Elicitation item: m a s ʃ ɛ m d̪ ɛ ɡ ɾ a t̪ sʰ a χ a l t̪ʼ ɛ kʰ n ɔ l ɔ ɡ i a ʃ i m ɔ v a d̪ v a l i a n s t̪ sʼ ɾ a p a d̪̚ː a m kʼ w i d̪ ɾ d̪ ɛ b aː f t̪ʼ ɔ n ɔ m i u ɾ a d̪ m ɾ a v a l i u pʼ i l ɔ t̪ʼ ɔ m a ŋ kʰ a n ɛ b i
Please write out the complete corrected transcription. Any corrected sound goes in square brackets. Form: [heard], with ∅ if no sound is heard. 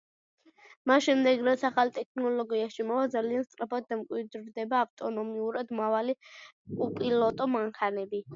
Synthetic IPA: m a s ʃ ɛ m d̪ ɛ ɡ ɾ a t̪ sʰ a χ a l t̪ʼ ɛ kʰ n ɔ l ɔ ɡ i a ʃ i m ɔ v a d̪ [z] a l i a n s t̪ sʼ ɾ a p a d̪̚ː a m kʼ w i d̪ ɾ d̪ ɛ b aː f t̪ʼ ɔ n ɔ m i u ɾ a d̪ m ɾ a v a l i u pʼ i l ɔ t̪ʼ ɔ m a ŋ kʰ a n ɛ b i

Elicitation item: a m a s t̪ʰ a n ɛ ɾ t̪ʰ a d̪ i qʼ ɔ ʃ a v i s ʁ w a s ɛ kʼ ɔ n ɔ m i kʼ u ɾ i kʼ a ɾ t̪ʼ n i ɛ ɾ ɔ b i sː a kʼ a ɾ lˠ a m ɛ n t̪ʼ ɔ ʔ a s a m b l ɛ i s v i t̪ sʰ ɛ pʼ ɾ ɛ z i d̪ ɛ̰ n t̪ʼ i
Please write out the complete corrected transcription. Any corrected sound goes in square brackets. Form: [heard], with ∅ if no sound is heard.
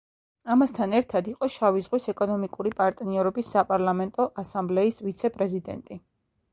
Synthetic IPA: a m a s t̪ʰ a n ɛ ɾ t̪ʰ a d̪ i qʼ ɔ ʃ a v i [z] ʁ w [i] s ɛ kʼ ɔ n ɔ m i kʼ u ɾ i [pʼ] a ɾ t̪ʼ n i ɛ ɾ ɔ b i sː a [pʼ] a ɾ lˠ a m ɛ n t̪ʼ ɔ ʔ a s a m b l ɛ i s v i t̪ sʰ ɛ pʼ ɾ ɛ z i d̪ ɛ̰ n t̪ʼ i

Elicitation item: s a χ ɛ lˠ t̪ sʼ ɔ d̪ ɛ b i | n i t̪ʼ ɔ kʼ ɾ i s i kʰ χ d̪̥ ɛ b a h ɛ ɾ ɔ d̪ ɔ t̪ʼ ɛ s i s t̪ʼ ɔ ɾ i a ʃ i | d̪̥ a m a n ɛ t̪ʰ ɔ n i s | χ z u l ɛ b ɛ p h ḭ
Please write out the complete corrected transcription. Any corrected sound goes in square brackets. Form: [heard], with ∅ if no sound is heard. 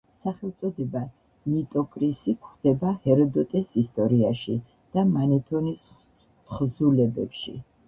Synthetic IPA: s a χ ɛ lˠ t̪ sʼ ɔ d̪ ɛ b [a] | n i t̪ʼ ɔ kʼ ɾ i s i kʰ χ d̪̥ ɛ b a h ɛ ɾ ɔ d̪ ɔ t̪ʼ ɛ s i s t̪ʼ ɔ ɾ i a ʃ i | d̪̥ a m a n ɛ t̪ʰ ɔ n i s | χ z u l ɛ b ɛ p [ʃ] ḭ

